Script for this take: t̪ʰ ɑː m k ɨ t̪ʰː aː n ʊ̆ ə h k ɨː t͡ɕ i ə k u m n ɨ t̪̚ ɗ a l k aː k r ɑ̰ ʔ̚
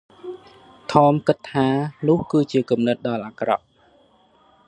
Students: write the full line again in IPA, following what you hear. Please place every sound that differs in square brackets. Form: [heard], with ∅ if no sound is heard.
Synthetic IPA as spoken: t̪ʰ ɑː m k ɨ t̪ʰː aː n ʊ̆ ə h k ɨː t͡ɕ i ə k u m n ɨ t̪̚ ɗ [ɑ] l [ʔ] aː k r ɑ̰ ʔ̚